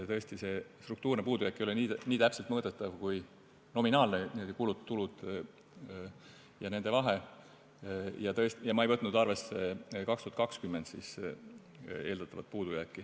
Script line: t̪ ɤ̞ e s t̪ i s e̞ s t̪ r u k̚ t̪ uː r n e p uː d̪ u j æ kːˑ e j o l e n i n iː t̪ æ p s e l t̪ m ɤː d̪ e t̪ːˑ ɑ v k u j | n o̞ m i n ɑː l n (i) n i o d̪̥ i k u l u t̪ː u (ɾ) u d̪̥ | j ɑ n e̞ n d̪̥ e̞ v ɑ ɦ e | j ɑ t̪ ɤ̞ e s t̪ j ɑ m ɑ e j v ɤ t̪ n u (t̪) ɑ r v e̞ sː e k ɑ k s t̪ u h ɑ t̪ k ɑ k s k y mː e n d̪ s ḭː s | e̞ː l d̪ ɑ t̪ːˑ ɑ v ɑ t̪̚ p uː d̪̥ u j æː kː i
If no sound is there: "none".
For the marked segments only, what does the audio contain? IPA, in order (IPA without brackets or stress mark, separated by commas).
e, l, d̪